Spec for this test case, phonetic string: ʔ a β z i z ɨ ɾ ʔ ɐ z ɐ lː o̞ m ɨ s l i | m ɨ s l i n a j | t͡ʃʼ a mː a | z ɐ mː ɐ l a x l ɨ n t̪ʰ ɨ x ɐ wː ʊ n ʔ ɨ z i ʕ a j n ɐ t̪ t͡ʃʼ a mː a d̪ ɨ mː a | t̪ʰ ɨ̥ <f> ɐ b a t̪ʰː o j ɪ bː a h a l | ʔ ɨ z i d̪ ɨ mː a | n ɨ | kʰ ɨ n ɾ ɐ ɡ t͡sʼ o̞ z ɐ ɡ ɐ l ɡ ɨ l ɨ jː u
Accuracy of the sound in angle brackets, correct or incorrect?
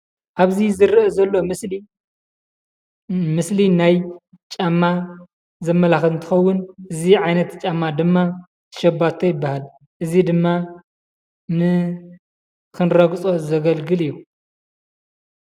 incorrect